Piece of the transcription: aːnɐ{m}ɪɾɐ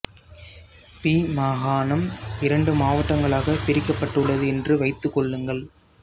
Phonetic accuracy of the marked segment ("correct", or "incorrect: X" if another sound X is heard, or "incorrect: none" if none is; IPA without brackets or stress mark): correct